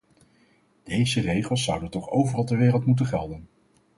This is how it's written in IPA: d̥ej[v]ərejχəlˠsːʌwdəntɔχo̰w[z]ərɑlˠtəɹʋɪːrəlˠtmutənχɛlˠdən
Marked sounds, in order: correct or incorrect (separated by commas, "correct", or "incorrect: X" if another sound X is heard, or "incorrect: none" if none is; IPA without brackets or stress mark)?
incorrect: z, incorrect: v